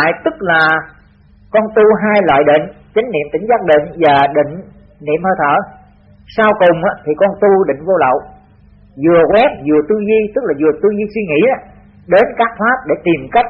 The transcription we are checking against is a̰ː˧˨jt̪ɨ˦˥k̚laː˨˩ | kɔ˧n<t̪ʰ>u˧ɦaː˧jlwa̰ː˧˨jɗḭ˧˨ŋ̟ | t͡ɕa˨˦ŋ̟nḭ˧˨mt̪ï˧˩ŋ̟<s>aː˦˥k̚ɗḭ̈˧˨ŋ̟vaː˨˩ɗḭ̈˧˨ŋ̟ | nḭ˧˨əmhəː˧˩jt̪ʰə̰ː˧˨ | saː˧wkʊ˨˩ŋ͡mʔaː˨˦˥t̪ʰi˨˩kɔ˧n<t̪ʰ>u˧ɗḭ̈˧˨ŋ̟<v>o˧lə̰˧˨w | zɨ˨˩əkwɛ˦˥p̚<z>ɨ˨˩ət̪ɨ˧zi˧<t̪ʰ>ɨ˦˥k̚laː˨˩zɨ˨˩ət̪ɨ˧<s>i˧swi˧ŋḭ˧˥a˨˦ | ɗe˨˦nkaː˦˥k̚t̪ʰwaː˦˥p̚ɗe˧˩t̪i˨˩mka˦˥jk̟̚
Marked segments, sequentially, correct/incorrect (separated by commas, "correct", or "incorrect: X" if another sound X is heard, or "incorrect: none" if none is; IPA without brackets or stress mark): incorrect: t̪, incorrect: z, incorrect: t̪, correct, correct, incorrect: t̪, incorrect: z